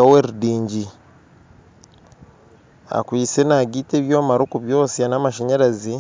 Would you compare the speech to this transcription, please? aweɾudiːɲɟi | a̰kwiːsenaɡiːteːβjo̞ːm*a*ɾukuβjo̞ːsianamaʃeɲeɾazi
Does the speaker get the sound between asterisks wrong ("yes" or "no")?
no